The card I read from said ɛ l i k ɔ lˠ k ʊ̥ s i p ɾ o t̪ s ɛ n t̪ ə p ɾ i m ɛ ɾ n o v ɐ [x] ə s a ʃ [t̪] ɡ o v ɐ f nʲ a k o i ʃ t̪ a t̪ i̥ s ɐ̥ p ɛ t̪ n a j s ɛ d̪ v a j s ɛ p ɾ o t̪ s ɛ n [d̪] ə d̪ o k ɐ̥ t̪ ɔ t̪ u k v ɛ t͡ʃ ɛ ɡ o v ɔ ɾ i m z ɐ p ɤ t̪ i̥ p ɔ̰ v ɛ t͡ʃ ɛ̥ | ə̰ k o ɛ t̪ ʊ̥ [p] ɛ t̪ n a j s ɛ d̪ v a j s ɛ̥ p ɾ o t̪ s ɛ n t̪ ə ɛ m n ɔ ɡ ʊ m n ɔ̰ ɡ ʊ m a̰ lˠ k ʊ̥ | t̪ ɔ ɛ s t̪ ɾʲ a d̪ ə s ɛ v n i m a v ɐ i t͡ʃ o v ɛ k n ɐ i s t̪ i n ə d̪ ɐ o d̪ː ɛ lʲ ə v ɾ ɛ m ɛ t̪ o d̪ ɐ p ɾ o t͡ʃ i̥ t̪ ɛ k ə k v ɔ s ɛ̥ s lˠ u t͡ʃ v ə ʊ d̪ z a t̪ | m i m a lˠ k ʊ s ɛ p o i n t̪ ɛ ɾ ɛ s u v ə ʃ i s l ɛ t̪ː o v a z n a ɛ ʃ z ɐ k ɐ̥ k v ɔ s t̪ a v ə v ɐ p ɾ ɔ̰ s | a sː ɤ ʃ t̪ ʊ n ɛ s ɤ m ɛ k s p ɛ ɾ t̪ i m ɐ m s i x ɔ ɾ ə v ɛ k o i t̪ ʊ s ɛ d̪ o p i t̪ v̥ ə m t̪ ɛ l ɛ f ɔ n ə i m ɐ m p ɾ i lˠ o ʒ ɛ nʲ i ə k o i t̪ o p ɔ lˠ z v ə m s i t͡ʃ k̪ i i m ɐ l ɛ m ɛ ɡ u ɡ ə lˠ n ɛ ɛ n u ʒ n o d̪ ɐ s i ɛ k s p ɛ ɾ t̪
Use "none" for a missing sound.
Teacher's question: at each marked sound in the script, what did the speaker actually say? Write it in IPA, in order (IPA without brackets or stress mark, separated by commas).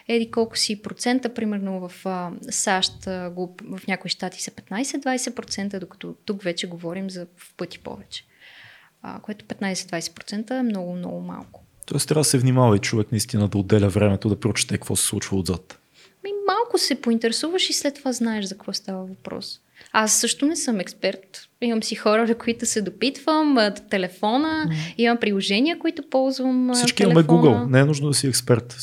f, t̪, t̪, p